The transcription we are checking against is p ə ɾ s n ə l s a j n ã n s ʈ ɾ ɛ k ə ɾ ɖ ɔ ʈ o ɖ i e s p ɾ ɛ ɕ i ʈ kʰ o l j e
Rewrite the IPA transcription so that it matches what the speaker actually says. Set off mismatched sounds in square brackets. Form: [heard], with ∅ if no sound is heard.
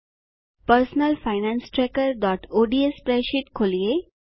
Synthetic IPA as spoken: p ə ɾ s n ə l [f] a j n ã n s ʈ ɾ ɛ k ə ɾ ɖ ɔ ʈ o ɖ i e s p ɾ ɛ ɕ i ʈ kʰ o l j e